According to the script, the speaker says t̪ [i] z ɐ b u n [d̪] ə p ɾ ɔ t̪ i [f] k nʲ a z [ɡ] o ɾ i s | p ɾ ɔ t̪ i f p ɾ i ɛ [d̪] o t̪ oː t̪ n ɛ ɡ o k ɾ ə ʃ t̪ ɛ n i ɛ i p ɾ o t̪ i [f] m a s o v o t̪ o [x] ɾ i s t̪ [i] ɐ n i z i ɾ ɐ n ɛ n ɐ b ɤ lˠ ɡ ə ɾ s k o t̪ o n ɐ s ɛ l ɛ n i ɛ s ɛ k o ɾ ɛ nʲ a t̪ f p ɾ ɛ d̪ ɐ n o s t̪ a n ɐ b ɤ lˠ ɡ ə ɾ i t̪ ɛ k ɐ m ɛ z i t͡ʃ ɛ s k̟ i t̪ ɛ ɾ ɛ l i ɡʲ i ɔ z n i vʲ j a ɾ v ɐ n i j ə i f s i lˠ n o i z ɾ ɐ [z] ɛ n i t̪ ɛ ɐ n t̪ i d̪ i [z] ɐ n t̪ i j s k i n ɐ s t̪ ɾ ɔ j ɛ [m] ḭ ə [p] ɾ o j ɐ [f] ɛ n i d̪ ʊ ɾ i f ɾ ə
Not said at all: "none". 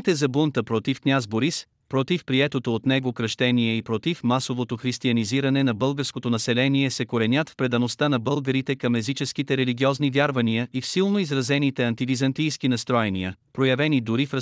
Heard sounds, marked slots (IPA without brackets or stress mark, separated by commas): ɛ, t̪, f, b, t̪, f, x, i, z, z, n, p, v